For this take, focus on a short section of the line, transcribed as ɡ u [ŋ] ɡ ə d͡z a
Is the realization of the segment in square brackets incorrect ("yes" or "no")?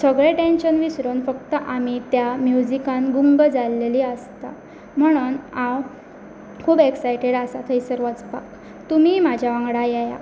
no